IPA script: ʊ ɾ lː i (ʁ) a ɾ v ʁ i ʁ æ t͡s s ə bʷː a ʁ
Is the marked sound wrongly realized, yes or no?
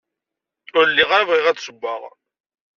no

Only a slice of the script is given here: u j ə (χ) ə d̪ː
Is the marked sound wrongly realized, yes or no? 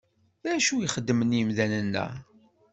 no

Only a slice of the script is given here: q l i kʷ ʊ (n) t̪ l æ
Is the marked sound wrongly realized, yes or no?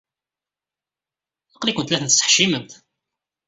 no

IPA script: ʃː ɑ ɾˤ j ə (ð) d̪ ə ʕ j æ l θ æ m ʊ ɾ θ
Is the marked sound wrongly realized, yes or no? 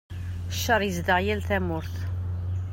yes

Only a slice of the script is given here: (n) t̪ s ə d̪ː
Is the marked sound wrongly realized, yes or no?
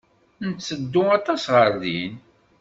no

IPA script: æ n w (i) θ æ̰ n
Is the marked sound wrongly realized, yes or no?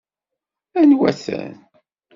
yes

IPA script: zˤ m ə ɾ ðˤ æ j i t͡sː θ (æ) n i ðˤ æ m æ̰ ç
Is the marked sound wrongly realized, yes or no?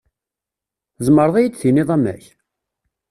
yes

